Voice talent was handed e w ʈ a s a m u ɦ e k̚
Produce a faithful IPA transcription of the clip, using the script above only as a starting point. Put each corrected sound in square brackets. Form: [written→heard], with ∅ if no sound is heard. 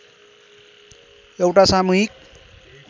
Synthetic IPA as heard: e w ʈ a s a m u ɦ [e→i] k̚